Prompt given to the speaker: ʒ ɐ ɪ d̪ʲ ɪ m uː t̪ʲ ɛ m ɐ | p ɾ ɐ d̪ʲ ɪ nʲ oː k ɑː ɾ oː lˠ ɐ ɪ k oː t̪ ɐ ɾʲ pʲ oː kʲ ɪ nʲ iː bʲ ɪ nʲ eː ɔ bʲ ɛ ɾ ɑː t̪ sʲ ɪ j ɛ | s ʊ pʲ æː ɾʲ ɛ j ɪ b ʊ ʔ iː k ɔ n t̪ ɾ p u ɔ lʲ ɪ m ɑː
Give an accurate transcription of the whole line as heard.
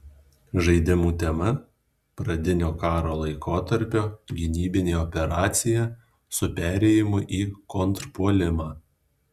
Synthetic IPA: ʒ ɐ ɪ d̪ʲ ɪ m uː t̪ʲ ɛ m ɐ | p ɾ ɐ d̪ʲ ɪ nʲ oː k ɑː ɾ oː lˠ ɐ ɪ k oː t̪ ɐ ɾʲ pʲ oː ɡʲ ɪ nʲ iː bʲ ɪ nʲ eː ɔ pʲ ɛ ɾ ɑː t̪ sʲ ɪ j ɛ | s ʊ pʲ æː ɾʲ ɛ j ɪ m ʊ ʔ iː k ɔ n t̪ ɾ p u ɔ lʲ ɪ m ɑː